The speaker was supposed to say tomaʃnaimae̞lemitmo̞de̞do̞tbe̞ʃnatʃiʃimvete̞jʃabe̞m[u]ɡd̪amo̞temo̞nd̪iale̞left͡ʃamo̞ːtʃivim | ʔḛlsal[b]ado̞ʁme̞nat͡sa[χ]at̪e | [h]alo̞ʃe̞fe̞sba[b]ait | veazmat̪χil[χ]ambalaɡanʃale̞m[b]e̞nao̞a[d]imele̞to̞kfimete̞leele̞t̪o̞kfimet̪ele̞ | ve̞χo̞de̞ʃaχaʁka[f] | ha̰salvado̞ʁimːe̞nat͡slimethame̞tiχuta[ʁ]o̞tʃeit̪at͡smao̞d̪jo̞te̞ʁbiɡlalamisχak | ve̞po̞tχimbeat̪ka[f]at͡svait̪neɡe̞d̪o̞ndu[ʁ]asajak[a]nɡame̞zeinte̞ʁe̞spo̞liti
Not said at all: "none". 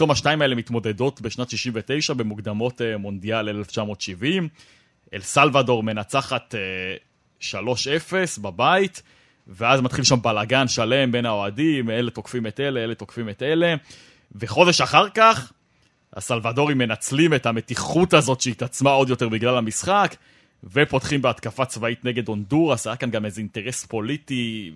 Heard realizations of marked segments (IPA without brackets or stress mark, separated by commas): u, v, χ, ʃ, b, ʃ, b, d, χ, z, f, ʁ, a